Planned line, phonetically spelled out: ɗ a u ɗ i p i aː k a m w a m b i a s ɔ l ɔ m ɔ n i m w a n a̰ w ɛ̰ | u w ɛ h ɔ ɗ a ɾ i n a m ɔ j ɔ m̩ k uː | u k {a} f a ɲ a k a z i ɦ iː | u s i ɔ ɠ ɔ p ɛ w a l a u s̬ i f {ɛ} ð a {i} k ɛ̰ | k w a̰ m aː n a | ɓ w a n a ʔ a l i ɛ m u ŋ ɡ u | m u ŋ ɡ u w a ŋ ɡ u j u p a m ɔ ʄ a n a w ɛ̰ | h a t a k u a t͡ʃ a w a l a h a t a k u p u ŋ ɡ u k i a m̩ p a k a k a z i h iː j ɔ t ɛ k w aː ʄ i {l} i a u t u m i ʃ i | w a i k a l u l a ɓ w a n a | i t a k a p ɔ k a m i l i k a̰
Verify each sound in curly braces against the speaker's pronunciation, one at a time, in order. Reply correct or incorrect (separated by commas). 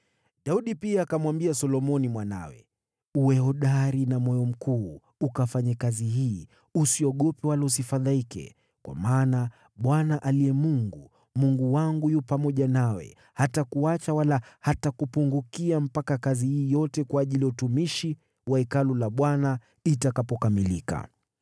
correct, incorrect, correct, correct